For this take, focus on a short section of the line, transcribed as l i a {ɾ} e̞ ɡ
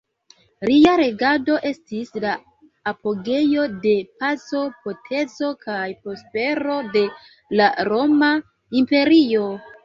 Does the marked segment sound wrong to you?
no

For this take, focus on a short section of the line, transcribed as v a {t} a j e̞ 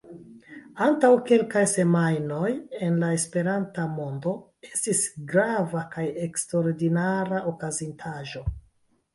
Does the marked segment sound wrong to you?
yes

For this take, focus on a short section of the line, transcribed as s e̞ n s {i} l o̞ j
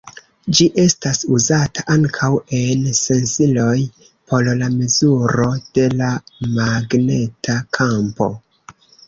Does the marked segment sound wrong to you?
no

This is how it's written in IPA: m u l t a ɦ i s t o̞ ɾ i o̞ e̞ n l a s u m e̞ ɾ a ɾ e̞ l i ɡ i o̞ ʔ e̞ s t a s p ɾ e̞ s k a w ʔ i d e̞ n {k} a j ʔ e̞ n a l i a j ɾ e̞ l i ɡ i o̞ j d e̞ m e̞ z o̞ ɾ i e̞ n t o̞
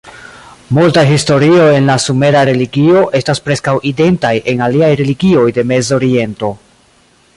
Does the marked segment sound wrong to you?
yes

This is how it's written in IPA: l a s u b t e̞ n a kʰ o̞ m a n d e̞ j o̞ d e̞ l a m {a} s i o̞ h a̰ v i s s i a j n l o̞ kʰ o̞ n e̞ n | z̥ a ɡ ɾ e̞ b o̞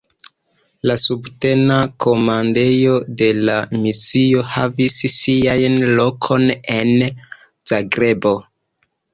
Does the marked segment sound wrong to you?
yes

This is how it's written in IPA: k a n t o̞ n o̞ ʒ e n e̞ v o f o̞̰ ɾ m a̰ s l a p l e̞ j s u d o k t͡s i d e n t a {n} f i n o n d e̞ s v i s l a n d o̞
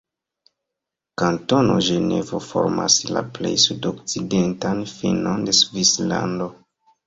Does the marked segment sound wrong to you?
no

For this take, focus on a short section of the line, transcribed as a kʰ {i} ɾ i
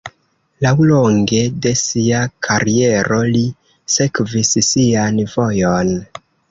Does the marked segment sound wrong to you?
yes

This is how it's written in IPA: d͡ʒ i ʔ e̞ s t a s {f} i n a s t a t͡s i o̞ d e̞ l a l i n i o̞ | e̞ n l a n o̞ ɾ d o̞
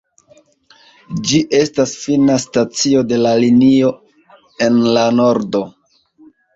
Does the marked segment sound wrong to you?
no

